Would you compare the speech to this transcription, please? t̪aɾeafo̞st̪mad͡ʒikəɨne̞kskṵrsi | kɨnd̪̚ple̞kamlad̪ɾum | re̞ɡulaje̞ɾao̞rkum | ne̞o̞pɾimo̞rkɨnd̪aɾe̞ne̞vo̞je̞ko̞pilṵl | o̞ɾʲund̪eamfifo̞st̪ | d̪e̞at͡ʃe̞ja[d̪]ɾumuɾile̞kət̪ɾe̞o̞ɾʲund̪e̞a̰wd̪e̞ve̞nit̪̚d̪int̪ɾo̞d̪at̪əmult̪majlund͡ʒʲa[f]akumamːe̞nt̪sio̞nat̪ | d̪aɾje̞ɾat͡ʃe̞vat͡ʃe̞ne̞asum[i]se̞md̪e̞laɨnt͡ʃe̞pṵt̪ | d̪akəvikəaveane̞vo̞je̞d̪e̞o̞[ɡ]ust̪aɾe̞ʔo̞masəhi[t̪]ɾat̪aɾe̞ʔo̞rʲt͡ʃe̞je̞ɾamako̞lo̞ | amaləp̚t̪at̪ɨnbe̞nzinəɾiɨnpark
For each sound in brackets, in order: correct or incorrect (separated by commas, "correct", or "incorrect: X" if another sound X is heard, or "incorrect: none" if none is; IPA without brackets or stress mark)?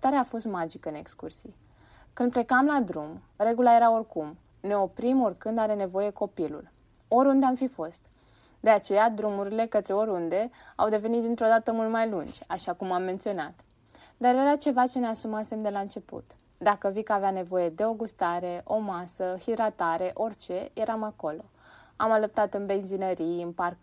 correct, incorrect: ʃ, incorrect: a, correct, incorrect: d̪